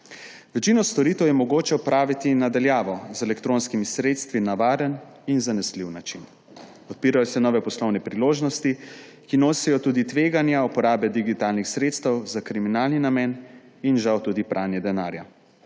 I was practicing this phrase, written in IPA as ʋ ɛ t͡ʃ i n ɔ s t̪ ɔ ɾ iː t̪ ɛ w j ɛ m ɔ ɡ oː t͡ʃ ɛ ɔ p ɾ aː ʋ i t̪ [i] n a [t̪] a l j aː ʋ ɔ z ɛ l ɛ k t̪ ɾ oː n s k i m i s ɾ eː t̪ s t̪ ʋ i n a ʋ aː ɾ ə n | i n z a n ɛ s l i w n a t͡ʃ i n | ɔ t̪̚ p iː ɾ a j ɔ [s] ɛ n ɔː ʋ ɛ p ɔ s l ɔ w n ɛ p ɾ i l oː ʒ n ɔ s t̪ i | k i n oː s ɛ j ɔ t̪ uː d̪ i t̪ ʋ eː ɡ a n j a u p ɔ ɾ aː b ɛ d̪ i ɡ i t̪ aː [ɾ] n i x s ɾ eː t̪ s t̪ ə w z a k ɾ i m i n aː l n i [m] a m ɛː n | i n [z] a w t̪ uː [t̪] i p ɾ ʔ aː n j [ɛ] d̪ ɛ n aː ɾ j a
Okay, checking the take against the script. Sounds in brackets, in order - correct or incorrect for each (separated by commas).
correct, incorrect, correct, incorrect, incorrect, incorrect, incorrect, correct